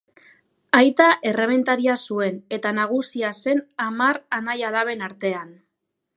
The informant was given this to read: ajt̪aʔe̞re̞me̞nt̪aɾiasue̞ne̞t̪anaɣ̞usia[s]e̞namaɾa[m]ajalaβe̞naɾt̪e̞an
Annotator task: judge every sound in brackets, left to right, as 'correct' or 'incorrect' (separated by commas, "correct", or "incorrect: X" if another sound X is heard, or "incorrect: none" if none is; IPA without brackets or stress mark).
correct, incorrect: n